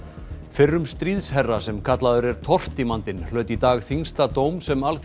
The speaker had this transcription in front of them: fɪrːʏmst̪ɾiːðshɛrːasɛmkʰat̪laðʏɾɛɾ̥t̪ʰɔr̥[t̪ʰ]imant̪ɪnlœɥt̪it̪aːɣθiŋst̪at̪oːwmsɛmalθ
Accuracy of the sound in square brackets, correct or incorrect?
incorrect